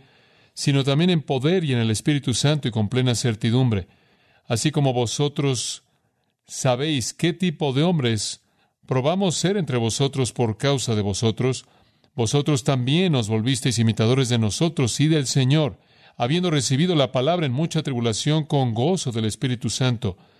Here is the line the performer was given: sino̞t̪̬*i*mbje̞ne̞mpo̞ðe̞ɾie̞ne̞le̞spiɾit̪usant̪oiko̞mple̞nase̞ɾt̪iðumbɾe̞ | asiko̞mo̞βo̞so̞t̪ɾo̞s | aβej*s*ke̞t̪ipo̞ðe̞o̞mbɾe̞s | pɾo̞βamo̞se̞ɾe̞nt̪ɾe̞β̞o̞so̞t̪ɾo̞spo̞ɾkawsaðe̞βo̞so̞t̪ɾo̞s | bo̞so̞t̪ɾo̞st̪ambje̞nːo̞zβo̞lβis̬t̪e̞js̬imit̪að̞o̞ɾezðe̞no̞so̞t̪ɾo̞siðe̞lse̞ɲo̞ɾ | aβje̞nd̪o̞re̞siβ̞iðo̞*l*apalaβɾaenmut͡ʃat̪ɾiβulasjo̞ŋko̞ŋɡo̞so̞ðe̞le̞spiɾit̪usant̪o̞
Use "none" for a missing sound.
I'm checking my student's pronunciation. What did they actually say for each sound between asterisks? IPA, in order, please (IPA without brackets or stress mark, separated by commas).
a, s, l